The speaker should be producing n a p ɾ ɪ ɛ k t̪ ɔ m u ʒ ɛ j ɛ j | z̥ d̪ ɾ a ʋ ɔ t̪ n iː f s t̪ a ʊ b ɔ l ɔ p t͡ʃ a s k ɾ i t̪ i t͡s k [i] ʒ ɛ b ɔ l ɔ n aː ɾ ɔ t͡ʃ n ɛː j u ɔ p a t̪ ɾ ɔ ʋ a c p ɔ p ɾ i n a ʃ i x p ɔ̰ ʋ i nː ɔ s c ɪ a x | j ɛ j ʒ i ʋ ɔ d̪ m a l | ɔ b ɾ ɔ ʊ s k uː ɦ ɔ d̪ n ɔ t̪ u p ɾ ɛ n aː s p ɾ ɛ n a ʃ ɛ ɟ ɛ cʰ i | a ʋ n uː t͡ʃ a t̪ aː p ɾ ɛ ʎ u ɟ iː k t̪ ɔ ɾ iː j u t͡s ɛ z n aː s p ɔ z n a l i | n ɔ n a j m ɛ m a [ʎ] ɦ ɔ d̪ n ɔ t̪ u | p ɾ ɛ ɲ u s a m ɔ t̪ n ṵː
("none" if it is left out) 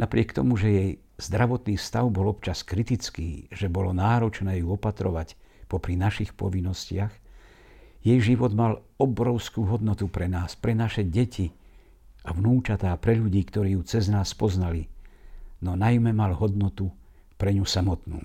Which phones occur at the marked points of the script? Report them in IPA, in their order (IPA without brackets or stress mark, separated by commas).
iː, l